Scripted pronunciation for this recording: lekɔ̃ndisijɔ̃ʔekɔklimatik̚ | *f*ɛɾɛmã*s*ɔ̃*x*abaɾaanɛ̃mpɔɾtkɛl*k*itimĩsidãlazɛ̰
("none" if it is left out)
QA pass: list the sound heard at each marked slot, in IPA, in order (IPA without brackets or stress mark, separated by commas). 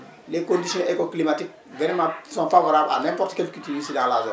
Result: v, s, f, k